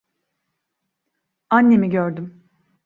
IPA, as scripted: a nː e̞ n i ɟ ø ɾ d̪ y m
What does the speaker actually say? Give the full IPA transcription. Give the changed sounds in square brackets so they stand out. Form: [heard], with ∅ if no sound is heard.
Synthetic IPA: a nː e̞ [m] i ɟ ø ɾ d̪ y m